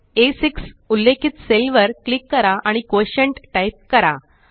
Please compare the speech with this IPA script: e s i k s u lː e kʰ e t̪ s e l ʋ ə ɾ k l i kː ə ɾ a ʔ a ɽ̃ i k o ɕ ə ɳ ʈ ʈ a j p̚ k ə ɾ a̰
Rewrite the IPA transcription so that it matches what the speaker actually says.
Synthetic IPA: e s i k s u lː e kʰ i t̪ s e l ʋ ə ɾ k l i kː ə ɾ a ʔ a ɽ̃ i k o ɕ ə ɳ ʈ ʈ a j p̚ k ə ɾ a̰